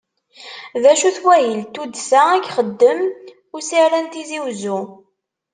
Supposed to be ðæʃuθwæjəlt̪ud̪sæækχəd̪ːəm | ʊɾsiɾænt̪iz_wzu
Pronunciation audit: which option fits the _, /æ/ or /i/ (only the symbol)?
i